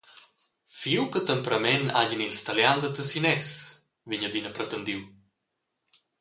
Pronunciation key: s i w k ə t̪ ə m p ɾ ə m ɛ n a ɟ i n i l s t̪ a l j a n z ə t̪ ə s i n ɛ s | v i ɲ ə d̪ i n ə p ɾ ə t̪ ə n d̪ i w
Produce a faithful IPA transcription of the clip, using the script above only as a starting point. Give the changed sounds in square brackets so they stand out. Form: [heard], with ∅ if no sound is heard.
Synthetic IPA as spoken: [f] i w k ə t̪ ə m p ɾ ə m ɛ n a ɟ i n i l s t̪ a l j a n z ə t̪ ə s i n ɛ s | v i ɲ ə d̪ i n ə p ɾ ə t̪ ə n d̪ i w